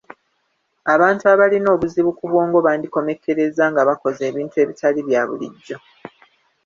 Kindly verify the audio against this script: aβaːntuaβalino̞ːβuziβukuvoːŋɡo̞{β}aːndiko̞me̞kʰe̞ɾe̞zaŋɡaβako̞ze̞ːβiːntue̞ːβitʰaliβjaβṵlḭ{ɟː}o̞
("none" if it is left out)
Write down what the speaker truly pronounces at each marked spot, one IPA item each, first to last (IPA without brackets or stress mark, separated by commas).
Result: β, ɟː